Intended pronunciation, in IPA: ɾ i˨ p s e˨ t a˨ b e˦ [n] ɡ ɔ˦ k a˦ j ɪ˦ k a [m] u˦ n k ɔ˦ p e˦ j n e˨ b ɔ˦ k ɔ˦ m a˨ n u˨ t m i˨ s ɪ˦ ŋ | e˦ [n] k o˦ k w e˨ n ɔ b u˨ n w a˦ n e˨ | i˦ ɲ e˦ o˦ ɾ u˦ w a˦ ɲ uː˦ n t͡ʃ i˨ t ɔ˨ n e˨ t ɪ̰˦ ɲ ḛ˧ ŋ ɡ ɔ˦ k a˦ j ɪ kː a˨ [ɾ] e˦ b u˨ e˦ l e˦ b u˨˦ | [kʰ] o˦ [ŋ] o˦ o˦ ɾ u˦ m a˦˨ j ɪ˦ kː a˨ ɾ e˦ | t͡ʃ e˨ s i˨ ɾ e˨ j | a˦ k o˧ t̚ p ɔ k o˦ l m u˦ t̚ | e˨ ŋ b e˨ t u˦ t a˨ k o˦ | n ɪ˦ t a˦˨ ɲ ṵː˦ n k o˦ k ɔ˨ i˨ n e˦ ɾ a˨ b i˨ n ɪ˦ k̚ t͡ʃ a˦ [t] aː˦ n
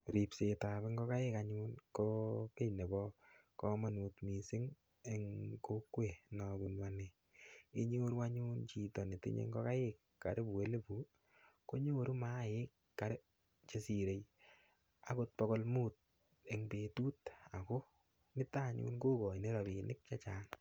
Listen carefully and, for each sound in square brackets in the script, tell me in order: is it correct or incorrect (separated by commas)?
incorrect, incorrect, incorrect, correct, incorrect, incorrect, incorrect